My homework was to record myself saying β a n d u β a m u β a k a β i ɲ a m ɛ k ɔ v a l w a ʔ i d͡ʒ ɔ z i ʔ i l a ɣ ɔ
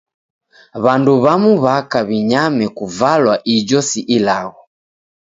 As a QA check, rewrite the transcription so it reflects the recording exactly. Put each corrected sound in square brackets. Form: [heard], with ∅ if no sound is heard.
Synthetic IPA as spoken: β a n d u β a m u β a k a β i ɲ a m ɛ k [u] v a l w a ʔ i d͡ʒ ɔ [s] i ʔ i l a ɣ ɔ